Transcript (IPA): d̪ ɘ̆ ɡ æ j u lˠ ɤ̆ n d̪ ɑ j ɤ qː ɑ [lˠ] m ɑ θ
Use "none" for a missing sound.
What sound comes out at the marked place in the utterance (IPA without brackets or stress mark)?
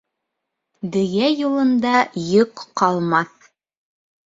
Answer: lˠ